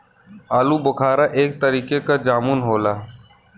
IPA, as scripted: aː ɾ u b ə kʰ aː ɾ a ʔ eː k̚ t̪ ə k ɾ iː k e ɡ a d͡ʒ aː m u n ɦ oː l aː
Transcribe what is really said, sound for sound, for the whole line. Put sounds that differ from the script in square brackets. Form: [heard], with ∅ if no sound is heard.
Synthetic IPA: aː [l] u b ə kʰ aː ɾ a ʔ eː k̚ t̪ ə [∅] ɾ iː k e [k] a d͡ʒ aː m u n ɦ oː l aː